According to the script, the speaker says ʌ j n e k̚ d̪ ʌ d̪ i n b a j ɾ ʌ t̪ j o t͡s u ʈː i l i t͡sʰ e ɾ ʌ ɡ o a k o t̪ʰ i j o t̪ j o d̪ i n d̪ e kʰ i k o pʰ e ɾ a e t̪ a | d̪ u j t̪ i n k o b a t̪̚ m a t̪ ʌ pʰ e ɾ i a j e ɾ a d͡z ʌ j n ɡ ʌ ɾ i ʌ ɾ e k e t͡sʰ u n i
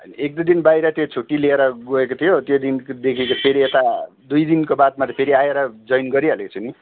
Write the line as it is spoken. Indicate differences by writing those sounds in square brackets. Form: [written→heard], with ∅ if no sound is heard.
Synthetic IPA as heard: ʌ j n e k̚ d̪ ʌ d̪ i n b a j ɾ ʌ t̪ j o [t͡s→t͡sʰ] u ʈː i l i [t͡sʰ→∅] e ɾ ʌ ɡ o [a→e] k o t̪ʰ i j o t̪ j o d̪ i n d̪ e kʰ i k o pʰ e ɾ [a→i] e t̪ a | d̪ u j [t̪→d̪] i n k o b a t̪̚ m a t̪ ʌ pʰ e ɾ i a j e ɾ [a→ʌ] d͡z ʌ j n ɡ ʌ ɾ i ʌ [ɾ→l] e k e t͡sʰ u n i